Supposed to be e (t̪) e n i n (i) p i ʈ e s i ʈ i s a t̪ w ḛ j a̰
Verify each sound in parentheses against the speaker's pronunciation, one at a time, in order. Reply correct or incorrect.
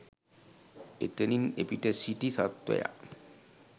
correct, incorrect

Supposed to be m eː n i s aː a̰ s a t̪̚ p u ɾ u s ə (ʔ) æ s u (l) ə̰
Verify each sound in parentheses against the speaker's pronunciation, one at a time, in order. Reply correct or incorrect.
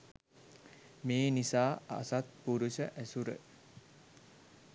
correct, incorrect

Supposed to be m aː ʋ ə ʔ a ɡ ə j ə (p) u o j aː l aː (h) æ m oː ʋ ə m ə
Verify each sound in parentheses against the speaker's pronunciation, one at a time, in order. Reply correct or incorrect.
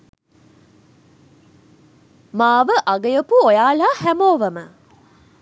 correct, correct

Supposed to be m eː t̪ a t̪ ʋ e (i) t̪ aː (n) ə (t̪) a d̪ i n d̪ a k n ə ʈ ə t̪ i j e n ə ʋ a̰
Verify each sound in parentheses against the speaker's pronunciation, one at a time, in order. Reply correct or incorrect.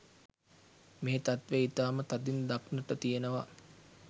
correct, incorrect, correct

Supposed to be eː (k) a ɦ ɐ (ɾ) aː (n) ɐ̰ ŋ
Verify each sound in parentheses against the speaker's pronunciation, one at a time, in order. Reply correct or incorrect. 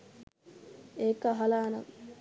correct, incorrect, correct

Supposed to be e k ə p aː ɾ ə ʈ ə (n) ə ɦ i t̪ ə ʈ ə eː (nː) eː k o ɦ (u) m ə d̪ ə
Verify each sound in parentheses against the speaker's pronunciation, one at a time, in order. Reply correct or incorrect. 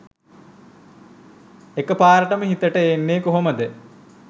incorrect, correct, incorrect

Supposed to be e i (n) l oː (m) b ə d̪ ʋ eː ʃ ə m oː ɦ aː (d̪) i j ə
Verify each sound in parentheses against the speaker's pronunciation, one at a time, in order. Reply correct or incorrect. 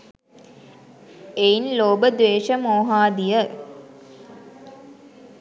correct, incorrect, correct

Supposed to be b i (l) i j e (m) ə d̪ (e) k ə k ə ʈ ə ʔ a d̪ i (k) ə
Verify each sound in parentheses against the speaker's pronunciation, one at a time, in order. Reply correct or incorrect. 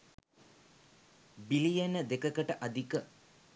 correct, incorrect, correct, correct

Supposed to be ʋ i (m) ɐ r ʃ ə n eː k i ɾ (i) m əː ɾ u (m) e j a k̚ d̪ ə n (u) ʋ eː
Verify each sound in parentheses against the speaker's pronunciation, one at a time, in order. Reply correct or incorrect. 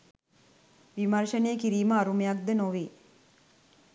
correct, incorrect, correct, incorrect

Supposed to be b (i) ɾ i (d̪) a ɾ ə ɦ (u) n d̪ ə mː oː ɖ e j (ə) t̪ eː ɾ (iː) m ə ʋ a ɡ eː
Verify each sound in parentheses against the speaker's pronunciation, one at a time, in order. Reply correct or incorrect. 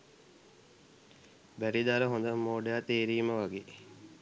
incorrect, correct, incorrect, incorrect, correct

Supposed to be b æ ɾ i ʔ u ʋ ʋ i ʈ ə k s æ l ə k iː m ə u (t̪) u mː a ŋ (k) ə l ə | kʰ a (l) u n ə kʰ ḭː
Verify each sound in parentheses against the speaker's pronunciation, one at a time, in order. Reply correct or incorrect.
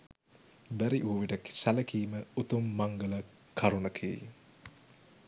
correct, incorrect, incorrect

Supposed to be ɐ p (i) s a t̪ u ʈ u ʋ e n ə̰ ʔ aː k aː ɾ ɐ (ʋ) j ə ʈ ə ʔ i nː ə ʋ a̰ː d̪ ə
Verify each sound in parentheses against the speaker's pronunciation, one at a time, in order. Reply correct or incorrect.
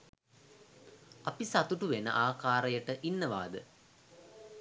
correct, incorrect

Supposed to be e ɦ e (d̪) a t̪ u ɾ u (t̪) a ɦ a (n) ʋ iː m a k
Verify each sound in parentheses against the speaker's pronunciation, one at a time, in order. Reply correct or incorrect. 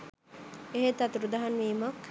incorrect, incorrect, correct

